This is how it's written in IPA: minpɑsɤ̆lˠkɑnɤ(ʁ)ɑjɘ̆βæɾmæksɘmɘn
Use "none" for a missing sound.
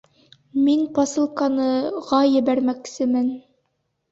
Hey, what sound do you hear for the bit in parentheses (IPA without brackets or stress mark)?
ʁ